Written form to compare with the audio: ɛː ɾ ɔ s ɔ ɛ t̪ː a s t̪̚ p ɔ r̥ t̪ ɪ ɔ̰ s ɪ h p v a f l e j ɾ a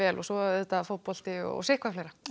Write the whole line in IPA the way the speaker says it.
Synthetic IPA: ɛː l ɔ s ɔ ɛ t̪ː a f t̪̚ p ɔ l̥ t̪ ɪ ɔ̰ s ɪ h k v a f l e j ɾ a